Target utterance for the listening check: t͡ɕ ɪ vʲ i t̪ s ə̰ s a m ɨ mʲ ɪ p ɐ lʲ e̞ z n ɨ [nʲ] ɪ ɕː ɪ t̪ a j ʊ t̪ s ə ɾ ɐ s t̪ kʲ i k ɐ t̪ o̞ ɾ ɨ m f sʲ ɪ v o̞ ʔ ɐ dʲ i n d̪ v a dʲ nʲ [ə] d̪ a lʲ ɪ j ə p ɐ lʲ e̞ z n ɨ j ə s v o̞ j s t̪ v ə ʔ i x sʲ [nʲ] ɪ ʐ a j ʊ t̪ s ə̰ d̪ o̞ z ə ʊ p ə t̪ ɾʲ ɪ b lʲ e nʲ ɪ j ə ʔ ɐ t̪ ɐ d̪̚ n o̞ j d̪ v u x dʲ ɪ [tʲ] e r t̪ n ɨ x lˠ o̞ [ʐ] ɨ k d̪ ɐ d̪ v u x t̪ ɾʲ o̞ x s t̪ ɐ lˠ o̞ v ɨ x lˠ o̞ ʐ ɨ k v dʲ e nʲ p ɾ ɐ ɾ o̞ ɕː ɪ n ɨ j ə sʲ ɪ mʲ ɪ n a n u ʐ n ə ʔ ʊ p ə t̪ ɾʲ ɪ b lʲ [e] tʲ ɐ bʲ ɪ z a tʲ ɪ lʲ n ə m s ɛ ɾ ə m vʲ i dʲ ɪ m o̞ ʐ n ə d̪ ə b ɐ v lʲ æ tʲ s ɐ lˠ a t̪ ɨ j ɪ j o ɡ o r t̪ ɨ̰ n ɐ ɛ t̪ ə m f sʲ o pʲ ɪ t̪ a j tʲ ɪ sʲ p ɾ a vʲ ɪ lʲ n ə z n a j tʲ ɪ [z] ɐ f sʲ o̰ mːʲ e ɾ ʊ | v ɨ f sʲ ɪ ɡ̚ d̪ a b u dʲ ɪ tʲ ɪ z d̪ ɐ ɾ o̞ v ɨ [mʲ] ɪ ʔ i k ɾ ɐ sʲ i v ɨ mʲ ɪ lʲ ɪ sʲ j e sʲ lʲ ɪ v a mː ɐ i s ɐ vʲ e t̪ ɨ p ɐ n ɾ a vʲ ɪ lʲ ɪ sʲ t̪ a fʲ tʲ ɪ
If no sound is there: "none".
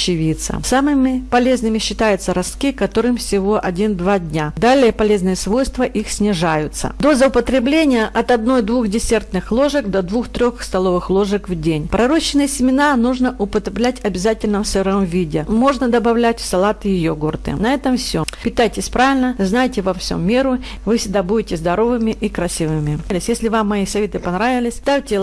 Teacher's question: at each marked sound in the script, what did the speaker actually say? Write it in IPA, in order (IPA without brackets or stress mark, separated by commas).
mʲ, a, nʲ, sʲ, ʐ, æ, v, mʲ